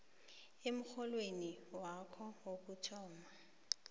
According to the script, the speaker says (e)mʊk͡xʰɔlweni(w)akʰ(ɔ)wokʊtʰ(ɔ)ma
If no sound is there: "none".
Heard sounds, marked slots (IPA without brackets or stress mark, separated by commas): e, w, ɔ, ɔː